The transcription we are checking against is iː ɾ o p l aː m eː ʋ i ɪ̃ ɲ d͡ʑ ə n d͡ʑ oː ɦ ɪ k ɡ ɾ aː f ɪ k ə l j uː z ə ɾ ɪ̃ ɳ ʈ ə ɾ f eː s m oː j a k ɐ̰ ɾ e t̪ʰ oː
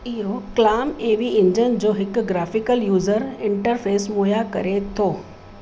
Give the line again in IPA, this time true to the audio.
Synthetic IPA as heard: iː ɾ o k l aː m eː ʋ i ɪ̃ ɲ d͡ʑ ə n d͡ʑ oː ɦ ɪ k ɡ ɾ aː f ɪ k ə l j uː z ə ɾ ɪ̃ ɳ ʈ ə ɾ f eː s m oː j a k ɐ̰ ɾ e t̪ʰ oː